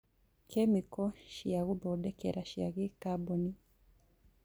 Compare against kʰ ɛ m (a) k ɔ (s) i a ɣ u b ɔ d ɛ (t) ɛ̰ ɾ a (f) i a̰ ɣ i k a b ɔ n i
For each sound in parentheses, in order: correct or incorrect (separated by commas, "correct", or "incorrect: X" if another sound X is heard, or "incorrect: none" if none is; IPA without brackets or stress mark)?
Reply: incorrect: i, incorrect: ʃ, incorrect: k, incorrect: ʃ